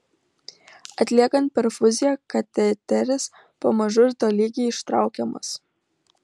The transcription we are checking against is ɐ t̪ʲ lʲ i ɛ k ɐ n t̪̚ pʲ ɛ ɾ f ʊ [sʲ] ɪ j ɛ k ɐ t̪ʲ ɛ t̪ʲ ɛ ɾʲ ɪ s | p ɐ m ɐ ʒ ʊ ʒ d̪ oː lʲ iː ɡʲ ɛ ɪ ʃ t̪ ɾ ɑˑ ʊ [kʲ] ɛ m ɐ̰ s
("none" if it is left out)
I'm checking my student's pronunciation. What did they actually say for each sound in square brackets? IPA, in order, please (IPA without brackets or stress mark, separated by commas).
zʲ, kʲ